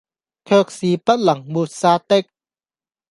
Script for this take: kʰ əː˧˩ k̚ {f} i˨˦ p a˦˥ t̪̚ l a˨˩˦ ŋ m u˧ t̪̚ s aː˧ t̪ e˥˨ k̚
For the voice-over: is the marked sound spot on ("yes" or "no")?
no